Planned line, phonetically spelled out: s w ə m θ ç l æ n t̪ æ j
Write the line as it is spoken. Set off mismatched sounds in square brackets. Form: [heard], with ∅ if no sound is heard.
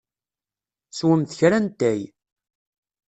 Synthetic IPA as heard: s w ə m θ ç [ɾ] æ n t̪ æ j